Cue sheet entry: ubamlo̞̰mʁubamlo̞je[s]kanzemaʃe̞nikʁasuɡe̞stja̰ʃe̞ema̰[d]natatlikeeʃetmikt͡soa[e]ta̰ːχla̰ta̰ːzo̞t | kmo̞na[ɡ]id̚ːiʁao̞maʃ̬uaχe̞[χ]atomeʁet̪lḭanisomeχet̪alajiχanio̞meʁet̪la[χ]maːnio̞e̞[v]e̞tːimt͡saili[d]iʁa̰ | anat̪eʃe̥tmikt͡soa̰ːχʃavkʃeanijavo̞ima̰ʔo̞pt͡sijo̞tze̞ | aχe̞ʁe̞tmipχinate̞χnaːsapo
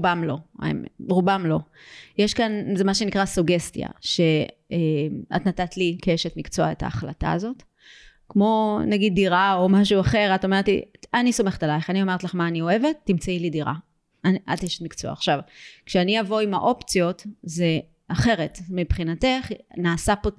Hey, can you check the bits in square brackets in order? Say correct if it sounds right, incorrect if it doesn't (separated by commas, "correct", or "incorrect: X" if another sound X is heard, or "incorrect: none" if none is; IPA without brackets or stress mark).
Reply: incorrect: ʃ, incorrect: t, correct, correct, incorrect: ʁ, correct, correct, correct